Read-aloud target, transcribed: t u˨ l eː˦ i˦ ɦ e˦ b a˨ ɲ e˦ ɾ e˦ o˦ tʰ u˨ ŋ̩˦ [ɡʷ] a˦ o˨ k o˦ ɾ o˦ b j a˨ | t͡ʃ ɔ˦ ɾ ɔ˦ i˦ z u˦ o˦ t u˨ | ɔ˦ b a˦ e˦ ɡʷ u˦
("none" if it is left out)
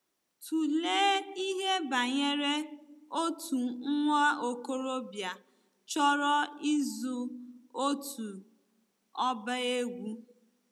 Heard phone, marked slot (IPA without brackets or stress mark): ŋʷ